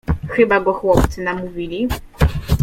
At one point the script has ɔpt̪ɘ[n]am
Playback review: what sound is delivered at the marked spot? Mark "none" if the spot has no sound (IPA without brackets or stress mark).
n